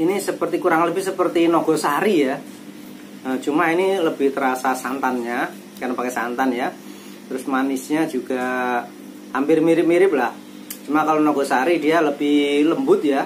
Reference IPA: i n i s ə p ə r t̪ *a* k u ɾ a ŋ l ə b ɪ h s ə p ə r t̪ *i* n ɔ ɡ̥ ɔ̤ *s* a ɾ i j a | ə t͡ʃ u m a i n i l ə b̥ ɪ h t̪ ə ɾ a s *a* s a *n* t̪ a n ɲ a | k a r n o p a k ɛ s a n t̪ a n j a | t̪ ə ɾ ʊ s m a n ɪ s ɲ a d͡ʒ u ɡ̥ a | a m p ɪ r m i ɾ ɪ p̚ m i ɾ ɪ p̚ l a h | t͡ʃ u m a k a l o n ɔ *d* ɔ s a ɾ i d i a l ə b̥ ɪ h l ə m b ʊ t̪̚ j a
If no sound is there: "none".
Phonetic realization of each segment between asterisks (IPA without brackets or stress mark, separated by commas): i, i, s, a, n, ɡ